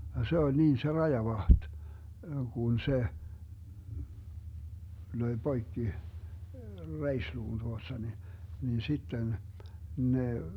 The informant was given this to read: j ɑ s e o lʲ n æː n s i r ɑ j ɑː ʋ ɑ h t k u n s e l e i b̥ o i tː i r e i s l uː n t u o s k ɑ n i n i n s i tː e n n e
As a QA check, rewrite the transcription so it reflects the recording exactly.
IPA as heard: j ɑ s e o lʲ n iː n s e r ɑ j ɑ ʋ ɑ h t k u n s e l ø i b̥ o i kː i r e i s l uː n t u o s t ɑ n i n i n s i tː e n n e